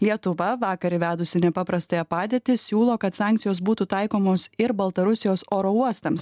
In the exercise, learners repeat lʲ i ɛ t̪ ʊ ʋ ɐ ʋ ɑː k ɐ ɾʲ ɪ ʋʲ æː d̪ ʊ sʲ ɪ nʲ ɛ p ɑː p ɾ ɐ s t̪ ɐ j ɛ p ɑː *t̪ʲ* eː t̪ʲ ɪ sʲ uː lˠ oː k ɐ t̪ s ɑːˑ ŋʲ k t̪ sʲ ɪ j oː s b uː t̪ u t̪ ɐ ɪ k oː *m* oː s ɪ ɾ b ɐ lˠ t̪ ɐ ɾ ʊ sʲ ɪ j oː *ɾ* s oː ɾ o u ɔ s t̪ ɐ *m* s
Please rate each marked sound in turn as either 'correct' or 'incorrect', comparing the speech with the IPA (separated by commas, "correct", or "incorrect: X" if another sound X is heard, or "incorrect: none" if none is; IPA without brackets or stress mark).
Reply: incorrect: d̪ʲ, correct, incorrect: none, correct